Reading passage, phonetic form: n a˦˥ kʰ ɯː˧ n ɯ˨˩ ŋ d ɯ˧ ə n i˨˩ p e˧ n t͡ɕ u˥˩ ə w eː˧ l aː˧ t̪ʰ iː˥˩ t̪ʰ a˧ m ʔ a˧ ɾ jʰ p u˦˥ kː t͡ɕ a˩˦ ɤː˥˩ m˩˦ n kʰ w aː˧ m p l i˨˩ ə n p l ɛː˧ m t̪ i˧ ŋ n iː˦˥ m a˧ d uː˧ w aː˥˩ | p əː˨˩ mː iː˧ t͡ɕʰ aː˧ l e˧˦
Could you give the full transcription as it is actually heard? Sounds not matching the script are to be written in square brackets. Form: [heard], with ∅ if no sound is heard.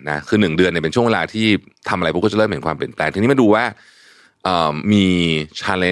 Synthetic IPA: n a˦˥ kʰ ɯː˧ n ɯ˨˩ ŋ d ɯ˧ ə n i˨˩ p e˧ n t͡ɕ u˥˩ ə w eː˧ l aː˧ t̪ʰ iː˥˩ t̪ʰ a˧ m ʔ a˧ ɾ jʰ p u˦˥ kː t͡ɕ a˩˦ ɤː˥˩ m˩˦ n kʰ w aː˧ m p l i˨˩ ə n p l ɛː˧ [ŋ] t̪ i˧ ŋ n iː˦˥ m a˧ d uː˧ w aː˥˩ | [ʔ] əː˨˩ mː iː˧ t͡ɕʰ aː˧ l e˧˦